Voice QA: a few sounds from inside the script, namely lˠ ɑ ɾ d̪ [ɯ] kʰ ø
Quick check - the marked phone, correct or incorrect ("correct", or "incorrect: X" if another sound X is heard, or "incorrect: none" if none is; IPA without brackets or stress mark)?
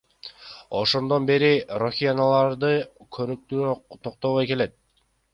correct